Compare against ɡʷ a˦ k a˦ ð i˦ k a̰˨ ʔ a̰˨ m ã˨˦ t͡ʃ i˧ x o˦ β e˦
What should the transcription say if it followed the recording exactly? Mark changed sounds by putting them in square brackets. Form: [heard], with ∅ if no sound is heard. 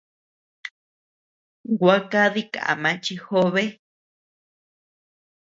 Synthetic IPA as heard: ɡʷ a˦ k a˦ ð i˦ k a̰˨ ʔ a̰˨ m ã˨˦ t͡ʃ i˧ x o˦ β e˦